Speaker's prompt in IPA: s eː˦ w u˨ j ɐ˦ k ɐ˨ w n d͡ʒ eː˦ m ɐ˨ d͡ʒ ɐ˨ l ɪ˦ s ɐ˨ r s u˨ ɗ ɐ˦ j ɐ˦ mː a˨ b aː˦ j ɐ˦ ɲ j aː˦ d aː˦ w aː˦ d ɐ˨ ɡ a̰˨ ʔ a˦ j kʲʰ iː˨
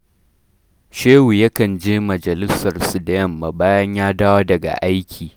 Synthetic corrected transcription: ʃ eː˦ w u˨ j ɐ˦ k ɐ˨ n d͡ʒ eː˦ m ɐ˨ d͡ʒ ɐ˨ l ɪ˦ s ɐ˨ r s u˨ d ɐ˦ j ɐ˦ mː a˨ b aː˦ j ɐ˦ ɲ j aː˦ d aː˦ w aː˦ d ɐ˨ ɡ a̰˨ ʔ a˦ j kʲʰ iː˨